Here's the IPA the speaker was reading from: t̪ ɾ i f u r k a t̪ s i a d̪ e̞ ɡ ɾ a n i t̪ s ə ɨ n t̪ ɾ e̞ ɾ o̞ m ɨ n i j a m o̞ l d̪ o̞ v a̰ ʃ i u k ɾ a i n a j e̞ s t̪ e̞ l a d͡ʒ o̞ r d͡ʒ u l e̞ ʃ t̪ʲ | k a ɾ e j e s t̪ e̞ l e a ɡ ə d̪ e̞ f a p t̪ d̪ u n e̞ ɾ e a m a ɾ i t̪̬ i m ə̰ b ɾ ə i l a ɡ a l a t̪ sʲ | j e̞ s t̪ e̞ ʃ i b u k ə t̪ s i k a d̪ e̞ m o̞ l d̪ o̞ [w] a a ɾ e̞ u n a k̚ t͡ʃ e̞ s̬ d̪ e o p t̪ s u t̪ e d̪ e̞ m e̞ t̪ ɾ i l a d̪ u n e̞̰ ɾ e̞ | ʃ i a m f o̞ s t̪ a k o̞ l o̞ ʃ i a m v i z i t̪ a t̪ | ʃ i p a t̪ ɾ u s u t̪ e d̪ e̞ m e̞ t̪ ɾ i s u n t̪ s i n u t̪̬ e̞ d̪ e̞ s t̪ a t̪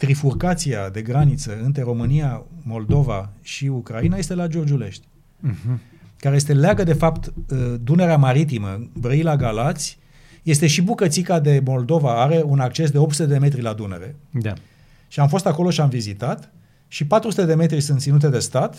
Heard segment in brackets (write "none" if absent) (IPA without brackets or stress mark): v